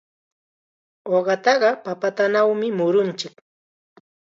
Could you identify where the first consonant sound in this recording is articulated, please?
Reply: uvular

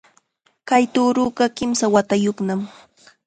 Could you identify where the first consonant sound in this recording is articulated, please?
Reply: velar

